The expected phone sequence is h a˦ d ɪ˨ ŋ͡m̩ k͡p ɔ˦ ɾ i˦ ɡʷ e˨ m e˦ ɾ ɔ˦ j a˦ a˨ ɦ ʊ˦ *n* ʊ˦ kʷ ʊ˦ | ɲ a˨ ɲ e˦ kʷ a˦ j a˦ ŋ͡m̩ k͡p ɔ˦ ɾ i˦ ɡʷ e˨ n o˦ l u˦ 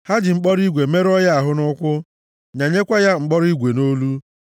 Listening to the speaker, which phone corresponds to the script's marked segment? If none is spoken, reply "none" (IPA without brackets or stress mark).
n